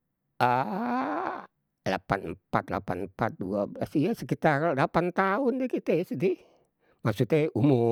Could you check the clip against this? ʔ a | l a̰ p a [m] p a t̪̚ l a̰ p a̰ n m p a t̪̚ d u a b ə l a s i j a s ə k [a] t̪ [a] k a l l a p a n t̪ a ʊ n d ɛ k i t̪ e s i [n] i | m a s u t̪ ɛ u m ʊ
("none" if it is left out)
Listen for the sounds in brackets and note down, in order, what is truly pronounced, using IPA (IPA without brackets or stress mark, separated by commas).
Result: n, i, a, d